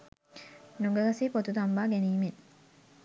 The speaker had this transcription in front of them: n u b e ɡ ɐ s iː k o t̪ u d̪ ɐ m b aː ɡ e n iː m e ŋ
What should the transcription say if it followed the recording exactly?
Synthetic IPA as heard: n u ɡ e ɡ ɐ s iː p o t̪ u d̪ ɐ m b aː ɡ e n iː m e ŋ

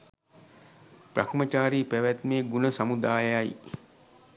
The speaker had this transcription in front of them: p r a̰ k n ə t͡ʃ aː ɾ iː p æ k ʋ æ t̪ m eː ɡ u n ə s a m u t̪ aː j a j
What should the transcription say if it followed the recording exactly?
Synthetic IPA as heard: p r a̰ k m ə t͡ʃ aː ɾ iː p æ ʋ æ t̪ m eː ɡ u n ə s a m u d̪ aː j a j

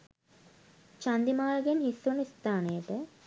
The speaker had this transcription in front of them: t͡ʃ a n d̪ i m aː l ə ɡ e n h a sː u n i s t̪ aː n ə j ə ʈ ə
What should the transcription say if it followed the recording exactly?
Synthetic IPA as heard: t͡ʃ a n d̪ i m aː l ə ɡ e n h i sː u n i s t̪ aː n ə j ə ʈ ə

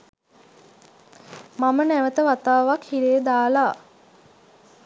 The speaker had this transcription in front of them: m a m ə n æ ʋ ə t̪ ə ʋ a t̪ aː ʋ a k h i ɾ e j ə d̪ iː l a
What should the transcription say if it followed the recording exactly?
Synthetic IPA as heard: m a m ə n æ ʋ ə t̪ ə ʋ a t̪ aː ʋ a k h i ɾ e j ə d̪ aː l a

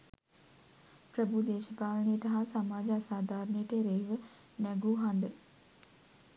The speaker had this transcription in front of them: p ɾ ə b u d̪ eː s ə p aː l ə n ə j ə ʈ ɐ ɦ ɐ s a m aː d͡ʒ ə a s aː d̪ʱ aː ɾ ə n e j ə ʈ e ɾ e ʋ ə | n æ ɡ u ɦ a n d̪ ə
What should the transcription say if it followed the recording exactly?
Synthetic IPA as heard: p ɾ ə b u d̪ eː ʃ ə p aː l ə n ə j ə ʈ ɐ ɦ a s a m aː d͡ʒ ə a s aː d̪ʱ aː ɾ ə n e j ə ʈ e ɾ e ʋ ə | n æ ɡ u ɦ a n d̪ ə

